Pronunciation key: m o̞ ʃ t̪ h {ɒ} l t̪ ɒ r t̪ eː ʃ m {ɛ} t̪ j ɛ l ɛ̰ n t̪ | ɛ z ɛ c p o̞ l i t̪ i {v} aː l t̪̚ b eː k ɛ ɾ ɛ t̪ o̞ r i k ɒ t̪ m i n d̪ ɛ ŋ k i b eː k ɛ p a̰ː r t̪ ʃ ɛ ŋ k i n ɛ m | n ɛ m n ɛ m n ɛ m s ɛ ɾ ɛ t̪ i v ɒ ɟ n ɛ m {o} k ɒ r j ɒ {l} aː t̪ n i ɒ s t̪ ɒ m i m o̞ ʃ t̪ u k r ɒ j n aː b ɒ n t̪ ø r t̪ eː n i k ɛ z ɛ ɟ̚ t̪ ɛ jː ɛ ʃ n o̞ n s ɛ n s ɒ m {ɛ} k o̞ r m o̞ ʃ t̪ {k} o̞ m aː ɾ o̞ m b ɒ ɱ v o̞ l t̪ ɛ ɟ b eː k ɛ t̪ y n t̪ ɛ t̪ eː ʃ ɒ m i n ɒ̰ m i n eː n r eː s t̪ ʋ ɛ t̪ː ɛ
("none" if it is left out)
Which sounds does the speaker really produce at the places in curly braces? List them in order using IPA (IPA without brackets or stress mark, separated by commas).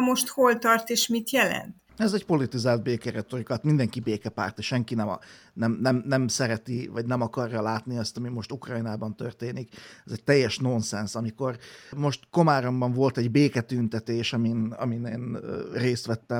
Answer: o, i, z, ɒ, l, i, k